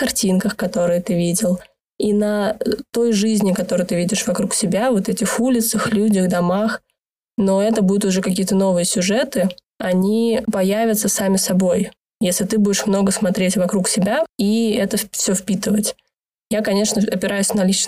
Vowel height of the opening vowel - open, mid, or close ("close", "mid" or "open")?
open